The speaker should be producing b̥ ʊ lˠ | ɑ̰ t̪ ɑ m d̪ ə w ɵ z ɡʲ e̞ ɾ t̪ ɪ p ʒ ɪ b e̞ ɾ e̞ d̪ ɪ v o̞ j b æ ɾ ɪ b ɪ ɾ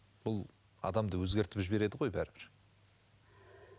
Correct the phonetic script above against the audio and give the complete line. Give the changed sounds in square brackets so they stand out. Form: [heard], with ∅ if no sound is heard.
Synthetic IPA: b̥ ʊ lˠ | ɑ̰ [d̪] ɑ m d̪ ə w ɵ z ɡʲ e̞ ɾ t̪ ɪ p ʒ ɪ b e̞ ɾ e̞ d̪ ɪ [ʁ] o̞ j b æ ɾ ɪ b ɪ ɾ